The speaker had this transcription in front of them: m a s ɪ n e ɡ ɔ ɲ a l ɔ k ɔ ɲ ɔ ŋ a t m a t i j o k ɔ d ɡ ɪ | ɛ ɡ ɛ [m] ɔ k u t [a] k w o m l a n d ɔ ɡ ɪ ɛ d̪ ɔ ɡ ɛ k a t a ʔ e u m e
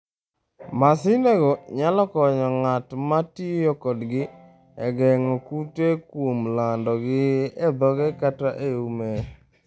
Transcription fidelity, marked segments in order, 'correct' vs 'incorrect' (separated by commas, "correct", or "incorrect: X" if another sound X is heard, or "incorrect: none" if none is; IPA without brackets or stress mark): incorrect: ŋ, incorrect: e